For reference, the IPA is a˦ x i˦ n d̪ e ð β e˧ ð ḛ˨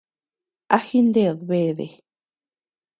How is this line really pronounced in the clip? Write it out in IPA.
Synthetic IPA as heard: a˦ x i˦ n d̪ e ð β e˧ ð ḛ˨